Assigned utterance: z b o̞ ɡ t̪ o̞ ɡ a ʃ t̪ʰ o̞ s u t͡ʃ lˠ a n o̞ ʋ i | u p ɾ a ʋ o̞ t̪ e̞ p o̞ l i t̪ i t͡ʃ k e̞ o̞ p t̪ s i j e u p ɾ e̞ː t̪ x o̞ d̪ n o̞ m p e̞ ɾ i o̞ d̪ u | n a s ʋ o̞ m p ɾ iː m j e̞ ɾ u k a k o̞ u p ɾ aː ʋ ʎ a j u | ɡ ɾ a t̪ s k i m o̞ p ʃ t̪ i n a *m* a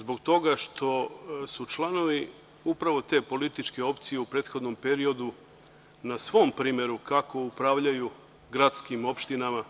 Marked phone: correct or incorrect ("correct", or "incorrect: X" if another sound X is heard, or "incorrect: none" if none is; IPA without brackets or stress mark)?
correct